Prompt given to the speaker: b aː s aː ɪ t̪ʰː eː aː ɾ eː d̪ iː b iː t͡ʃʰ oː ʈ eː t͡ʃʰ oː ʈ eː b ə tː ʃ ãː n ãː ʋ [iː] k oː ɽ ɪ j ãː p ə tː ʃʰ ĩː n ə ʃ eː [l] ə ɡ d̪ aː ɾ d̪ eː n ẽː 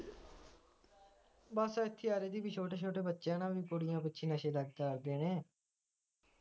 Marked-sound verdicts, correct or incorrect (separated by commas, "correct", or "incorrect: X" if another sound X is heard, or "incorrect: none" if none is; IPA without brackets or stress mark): correct, correct